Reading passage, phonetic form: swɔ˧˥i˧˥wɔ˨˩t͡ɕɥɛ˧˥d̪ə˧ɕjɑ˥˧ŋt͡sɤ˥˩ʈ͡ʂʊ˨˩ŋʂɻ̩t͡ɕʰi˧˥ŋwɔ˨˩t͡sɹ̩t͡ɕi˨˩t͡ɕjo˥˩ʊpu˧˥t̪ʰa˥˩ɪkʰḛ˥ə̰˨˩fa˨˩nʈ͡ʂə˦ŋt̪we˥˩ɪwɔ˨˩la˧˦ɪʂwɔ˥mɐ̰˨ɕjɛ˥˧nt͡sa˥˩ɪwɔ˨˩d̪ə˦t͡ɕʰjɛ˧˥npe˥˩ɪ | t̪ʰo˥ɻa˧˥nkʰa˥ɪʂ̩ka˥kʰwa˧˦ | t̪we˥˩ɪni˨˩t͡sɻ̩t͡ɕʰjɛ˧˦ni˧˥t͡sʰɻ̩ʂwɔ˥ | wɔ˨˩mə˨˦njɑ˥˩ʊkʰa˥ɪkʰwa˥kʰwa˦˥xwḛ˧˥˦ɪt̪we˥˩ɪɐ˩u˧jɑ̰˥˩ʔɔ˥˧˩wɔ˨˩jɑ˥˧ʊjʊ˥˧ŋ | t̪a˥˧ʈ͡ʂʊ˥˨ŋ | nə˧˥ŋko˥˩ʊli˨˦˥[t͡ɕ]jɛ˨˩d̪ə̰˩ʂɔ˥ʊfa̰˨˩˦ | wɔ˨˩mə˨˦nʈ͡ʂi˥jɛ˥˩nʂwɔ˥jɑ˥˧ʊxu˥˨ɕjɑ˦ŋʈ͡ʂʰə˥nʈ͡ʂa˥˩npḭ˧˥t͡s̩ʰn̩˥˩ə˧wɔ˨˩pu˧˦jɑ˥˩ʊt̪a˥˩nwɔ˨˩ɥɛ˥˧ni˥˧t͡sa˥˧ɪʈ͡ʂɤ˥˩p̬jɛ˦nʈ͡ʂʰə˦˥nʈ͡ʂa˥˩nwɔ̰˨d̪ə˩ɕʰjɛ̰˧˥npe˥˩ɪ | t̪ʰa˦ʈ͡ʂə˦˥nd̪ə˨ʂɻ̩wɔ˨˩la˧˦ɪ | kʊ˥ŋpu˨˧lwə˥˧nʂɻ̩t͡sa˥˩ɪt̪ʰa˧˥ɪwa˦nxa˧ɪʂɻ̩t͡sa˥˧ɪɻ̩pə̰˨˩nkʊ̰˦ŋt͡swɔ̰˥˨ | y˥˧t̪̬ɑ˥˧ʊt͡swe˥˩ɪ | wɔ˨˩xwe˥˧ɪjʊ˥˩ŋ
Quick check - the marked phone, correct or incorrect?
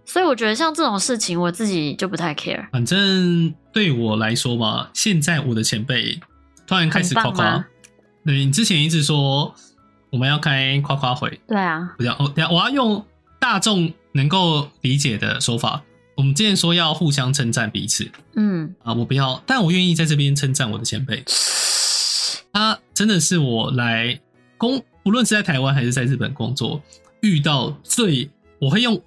correct